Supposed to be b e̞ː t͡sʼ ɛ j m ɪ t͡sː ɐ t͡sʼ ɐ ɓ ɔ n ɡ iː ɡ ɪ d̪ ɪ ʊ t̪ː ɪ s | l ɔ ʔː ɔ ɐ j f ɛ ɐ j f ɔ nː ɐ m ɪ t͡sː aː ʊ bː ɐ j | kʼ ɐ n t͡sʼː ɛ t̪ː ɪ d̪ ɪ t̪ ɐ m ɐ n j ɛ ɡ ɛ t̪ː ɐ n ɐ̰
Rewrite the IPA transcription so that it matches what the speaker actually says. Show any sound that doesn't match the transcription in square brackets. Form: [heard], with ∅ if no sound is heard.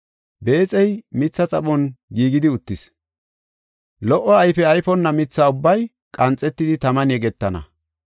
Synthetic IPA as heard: b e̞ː t͡sʼ ɛ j m ɪ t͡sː ɐ t͡sʼ ɐ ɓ ɔ n ɡ iː ɡ ɪ d̪ ɪ ʊ t̪ː ɪ s | l ɔ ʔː ɔ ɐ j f ɛ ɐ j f ɔ nː ɐ m ɪ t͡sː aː ʊ bː ɐ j | kʼ ɐ n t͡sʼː ɛ t̪ː ɪ d̪ ɪ t̪ ɐ m ɐ n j ɛ ɡ ɛ t̪ː ɐ n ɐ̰